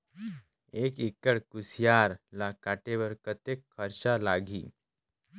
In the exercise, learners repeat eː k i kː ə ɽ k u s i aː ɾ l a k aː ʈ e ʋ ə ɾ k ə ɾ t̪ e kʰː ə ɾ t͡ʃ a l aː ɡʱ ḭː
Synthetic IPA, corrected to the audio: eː k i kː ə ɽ k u s j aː ɾ l a k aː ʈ e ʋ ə ɾ k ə t̪ e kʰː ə ɾ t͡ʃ a l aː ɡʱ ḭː